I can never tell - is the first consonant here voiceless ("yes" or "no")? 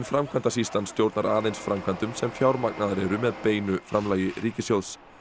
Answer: no